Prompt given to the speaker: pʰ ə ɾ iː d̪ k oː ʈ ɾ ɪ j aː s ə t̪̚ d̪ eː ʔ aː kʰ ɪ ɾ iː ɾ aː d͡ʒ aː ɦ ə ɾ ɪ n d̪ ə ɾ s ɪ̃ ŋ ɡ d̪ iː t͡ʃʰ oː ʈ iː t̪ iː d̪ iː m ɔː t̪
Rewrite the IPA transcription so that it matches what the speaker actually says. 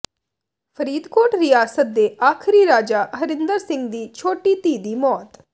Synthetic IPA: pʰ ə ɾ iː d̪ k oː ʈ ɾ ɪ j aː s ə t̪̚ d̪ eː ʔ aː kʰ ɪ ɾ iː ɾ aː d͡ʒ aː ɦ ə ɾ ɪ n d̪ ə ɾ s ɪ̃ ŋ ɡ d̪ iː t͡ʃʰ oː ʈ iː t̪ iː d̪ iː m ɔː t̪